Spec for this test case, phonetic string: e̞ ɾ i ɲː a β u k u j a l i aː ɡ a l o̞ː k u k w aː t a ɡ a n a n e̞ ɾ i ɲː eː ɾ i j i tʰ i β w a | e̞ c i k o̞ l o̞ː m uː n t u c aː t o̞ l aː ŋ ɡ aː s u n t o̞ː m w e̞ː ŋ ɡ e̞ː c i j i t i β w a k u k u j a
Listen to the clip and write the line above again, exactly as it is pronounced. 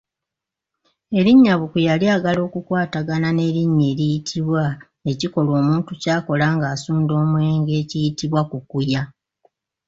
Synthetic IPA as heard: e̞ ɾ i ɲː a β u k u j a l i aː ɡ a l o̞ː k u k w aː t a ɡ a n a n e̞ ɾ i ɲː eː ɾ i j i tʰ i β w a | e̞ c i k o̞ l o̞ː m uː n t u c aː k o̞ l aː ŋ ɡ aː s uː n d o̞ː m w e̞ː ŋ ɡ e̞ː c i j i t i β w a k u k u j a